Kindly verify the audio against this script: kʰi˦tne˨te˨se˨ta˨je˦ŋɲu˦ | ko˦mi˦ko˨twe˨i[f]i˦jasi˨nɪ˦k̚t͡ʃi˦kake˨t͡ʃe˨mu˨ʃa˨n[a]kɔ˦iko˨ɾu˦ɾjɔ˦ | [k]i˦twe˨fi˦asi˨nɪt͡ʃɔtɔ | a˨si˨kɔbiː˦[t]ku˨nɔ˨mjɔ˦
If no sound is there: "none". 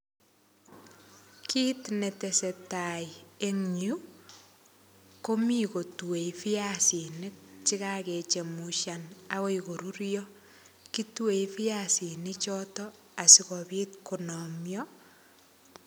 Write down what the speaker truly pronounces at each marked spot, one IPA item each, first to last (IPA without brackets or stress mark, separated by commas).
f, a, k, t